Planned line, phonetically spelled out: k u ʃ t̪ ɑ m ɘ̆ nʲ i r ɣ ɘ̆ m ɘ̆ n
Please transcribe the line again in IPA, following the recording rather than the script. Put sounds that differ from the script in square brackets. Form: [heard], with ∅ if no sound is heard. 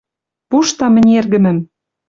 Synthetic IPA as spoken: [p] u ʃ t̪ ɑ m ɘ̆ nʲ [e] r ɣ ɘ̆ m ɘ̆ [m]